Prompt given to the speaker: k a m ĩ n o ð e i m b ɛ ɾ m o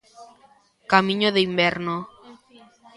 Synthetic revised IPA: k a m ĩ ɲ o ð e i m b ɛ ɾ n o